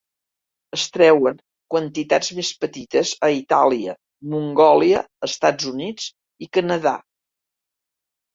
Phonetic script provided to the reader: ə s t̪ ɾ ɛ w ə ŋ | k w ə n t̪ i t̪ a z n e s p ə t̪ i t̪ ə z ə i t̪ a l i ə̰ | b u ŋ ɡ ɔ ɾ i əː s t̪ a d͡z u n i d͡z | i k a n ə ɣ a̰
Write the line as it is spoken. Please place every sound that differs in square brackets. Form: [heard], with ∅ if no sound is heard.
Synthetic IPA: ə s t̪ ɾ ɛ w ə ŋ | k w ə n t̪ i t̪ a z [m] e s p ə t̪ i t̪ ə z ə i t̪ a l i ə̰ | [m] u ŋ ɡ ɔ [l] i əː s t̪ a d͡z u n i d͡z | i k [ə] n ə [ð] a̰

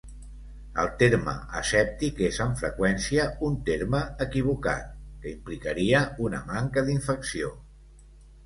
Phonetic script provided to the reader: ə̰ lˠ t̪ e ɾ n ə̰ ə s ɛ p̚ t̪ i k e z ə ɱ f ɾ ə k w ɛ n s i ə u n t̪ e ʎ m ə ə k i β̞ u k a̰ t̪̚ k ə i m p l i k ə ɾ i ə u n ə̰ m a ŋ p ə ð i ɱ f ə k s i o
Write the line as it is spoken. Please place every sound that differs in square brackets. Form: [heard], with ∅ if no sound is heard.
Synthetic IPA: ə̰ lˠ t̪ e ɾ [m] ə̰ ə s ɛ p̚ t̪ i k e z ə ɱ f ɾ ə k w ɛ n s i ə u n t̪ e [ɾ] m ə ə k i β̞ u k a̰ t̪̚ k ə i m p l i k ə ɾ i ə u n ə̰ m a ŋ [k] ə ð i ɱ f ə k s i o

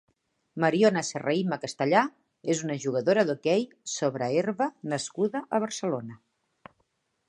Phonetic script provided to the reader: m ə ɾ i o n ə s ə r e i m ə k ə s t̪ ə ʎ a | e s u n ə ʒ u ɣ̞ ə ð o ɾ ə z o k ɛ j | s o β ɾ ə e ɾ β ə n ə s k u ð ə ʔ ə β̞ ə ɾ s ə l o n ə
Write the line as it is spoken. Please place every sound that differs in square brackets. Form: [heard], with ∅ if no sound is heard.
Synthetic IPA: m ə ɾ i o n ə s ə r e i m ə k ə s t̪ ə ʎ a | e [z] u n ə ʒ u ɣ̞ ə ð o ɾ ə [ð] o k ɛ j | s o β ɾ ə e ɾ β ə n ə s k u ð ə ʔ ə β̞ ə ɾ s ə l o n ə

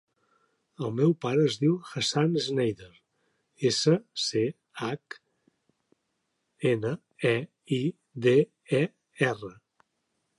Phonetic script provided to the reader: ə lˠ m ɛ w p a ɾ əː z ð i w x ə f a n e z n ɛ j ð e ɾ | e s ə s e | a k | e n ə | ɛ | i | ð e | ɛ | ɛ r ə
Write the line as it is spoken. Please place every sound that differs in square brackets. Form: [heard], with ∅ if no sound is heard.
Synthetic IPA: ə lˠ m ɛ w p a ɾ əː z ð i w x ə [s] a n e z n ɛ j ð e ɾ | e s ə s e | a k | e n ə | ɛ | i | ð e | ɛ | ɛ r ə

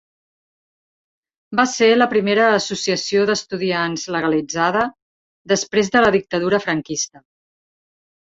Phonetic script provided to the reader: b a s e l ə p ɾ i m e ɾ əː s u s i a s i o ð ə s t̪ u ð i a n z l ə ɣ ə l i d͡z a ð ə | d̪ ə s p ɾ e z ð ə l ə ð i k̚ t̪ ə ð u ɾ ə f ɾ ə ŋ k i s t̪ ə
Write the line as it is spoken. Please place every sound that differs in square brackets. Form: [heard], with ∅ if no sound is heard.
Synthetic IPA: b a s e l ə p ɾ i m e ɾ əː s u s i [ə] s i o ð ə s t̪ u ð i a n z l ə ɣ ə l i d͡z a ð ə | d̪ ə s p ɾ e z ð ə l ə ð i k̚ t̪ ə ð u ɾ ə f ɾ ə ŋ k i s t̪ ə

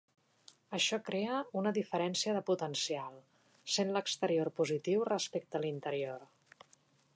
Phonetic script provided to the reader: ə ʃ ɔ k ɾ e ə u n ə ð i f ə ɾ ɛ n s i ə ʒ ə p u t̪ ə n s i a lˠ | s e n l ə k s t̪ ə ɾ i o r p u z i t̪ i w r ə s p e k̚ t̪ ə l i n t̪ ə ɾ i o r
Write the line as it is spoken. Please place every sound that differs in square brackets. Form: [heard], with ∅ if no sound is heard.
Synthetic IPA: ə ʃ ɔ k ɾ e ə u n ə ð i f ə ɾ ɛ n s i ə [ð] ə p u t̪ ə n s i a lˠ | s e n l ə k s t̪ ə ɾ i o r p u z i t̪ i w r ə s p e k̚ t̪ ə l i n t̪ ə ɾ i o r

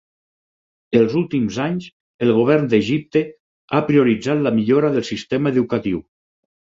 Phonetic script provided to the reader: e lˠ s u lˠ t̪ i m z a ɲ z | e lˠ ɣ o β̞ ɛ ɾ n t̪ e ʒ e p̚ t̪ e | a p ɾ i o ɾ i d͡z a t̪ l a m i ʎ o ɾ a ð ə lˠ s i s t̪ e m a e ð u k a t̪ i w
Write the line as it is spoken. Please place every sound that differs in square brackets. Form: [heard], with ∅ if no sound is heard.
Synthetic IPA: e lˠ [z] u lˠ t̪ i m z a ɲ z | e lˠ ɣ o β̞ ɛ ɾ n [d̪] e ʒ [i] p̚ t̪ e | a p ɾ i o ɾ i d͡z a t̪ l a m i ʎ o ɾ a ð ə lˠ s i s t̪ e m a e ð u k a t̪ i w

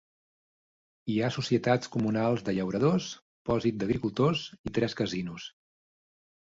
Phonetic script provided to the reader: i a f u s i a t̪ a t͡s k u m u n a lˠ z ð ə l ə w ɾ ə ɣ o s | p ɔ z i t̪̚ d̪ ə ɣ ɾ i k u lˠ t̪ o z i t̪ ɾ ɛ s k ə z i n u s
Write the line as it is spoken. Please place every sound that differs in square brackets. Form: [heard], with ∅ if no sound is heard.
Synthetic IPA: i a [s] u s i [ə] t̪ a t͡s k u m u n a lˠ z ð ə [ʎ] ə w ɾ ə [ð] o s | p ɔ z i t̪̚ d̪ ə ɣ ɾ i k u lˠ t̪ o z i t̪ ɾ ɛ s k ə z i n u s

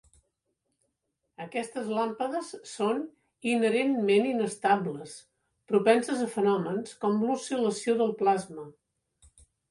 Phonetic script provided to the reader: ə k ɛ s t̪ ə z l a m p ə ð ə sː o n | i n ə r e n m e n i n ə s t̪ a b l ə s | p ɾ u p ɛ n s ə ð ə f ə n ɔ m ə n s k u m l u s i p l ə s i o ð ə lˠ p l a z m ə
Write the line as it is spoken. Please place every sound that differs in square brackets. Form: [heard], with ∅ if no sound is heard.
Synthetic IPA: ə k ɛ s t̪ ə z l a m p ə ð ə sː o n | i n ə [ɾ] e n m e n i n ə s t̪ a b l ə s | p ɾ u p ɛ n s ə [z] ə f ə n ɔ m ə n s k [ɔ] m l u s i [∅] l ə s i o ð ə lˠ p l a z m ə

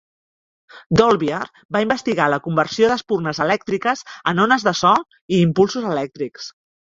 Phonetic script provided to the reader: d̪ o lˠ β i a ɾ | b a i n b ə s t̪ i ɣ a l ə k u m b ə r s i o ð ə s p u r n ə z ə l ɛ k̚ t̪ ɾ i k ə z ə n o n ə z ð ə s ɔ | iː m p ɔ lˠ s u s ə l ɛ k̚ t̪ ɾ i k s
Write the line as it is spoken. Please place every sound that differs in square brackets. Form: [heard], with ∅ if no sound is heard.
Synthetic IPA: d̪ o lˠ β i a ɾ | b a i [m] b ə s t̪ i ɣ a l ə k u m b ə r s i o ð ə s p u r n ə z ə l ɛ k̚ t̪ ɾ i k ə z ə n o n ə z ð ə s ɔ | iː m p [u] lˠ s u [z] ə l ɛ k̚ t̪ ɾ i k s

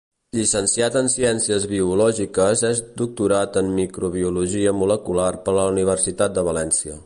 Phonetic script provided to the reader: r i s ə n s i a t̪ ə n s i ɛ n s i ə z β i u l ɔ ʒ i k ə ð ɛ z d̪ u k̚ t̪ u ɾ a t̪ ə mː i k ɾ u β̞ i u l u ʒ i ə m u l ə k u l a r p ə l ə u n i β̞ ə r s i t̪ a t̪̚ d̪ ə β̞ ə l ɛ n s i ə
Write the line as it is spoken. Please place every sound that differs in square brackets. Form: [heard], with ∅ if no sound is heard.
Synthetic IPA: [ʎ] i s ə n s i a t̪ ə n s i ɛ n s i ə z β i u l ɔ ʒ i k ə [z] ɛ z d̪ u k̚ t̪ u ɾ a t̪ ə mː i k ɾ u β̞ i u l u ʒ i ə m u l ə k u l a r p ə l ə u n i β̞ ə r s i t̪ a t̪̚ d̪ ə β̞ ə l ɛ n s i ə

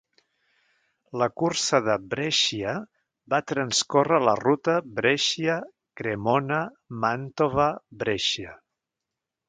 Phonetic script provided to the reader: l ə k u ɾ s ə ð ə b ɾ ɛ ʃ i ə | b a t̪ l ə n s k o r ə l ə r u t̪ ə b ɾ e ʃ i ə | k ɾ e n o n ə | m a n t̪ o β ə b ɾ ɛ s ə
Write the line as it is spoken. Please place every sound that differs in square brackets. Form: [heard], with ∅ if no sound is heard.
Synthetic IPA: l ə k u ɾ s ə ð ə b ɾ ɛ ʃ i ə | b a t̪ [ɾ] ə n s k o r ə l ə r u t̪ ə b ɾ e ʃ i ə | k ɾ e [m] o n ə | m a n t̪ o β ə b ɾ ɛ [ʃ] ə

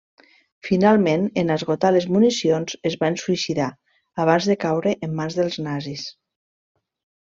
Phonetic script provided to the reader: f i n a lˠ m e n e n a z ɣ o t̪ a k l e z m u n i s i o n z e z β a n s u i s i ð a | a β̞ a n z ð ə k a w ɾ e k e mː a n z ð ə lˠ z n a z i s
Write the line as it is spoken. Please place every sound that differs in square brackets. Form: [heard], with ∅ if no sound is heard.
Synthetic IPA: f i n a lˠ m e n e n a z ɣ o t̪ a [∅] l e z m u n i s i o n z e z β a n s u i s i ð a | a β̞ a n z ð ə k a w ɾ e [ʔ] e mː a n z ð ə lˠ z n a z i s

